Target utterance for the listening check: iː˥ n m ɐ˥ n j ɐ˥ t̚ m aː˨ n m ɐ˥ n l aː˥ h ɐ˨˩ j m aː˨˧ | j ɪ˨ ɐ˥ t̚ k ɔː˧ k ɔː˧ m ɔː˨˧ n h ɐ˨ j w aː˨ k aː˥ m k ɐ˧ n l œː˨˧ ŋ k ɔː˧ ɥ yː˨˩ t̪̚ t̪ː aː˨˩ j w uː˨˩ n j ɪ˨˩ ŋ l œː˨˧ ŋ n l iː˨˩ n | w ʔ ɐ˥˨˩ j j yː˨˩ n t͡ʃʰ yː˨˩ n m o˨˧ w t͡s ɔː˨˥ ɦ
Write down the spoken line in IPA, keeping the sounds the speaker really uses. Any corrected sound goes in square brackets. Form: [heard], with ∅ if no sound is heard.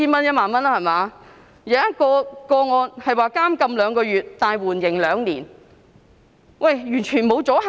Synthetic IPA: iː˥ n m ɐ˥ n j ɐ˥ t̚ m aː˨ n m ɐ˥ n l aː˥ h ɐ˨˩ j m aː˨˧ | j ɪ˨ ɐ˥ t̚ k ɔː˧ k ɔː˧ [ŋ] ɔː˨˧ n h ɐ˨ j w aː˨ k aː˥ m k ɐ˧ [m] l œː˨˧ ŋ k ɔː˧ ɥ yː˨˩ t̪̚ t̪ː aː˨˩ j w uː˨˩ n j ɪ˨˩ ŋ l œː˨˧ ŋ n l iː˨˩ n | w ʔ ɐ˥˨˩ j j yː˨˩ n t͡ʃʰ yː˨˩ n m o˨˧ w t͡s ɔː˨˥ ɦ